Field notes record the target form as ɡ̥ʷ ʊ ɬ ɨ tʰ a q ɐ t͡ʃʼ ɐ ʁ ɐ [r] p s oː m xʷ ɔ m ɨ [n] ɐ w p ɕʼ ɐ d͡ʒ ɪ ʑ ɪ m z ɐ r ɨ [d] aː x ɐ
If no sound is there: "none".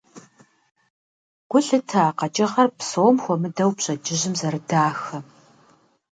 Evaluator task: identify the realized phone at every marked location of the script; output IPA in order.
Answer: r, d, d

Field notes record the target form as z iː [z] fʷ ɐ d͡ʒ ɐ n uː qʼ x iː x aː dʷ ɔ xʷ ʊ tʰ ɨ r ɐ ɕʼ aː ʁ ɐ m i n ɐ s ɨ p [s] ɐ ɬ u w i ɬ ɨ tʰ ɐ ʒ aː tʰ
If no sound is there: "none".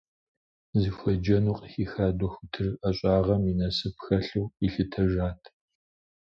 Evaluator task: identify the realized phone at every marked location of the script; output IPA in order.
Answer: none, x

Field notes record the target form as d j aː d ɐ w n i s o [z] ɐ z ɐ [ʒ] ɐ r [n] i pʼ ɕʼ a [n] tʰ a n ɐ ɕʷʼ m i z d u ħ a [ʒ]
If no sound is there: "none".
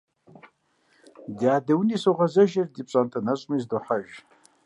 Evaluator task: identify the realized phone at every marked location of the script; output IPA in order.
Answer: ʁ, ʒ, d, n, ʒ

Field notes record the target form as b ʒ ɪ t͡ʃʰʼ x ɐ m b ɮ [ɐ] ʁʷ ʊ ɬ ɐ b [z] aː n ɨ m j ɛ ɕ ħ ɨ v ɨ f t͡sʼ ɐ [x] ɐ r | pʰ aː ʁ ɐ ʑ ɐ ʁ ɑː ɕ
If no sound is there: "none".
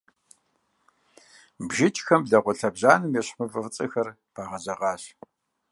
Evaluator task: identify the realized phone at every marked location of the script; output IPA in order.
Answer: ɐ, ʑ, x

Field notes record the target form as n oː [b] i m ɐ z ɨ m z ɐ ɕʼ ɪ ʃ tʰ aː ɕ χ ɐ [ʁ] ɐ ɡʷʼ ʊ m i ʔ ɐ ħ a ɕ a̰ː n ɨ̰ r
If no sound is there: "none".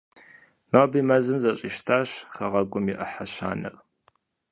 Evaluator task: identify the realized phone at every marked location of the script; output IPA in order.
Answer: b, ʁ

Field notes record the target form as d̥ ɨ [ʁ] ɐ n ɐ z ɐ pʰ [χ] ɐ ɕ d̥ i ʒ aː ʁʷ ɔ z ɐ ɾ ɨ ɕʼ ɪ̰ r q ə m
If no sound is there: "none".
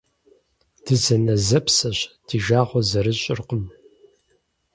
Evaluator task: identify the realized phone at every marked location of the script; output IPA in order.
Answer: z, s

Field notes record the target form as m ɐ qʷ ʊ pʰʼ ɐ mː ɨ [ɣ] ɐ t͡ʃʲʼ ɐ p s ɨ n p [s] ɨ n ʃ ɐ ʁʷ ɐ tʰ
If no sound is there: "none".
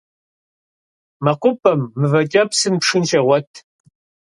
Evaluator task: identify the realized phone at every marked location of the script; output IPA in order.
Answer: v, ʂ

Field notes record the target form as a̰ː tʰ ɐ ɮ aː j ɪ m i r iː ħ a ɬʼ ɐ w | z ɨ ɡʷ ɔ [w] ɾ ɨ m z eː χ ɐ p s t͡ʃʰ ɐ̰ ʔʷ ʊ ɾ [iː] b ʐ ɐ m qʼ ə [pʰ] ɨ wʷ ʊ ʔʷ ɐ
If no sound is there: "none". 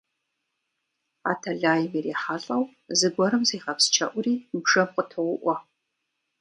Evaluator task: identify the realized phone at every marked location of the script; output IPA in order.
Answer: none, iː, tʰ

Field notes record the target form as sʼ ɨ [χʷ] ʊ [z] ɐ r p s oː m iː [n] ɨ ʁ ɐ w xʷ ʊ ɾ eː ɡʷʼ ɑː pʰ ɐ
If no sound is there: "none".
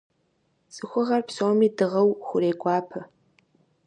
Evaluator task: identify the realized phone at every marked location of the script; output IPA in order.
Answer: xʷ, ʁ, d

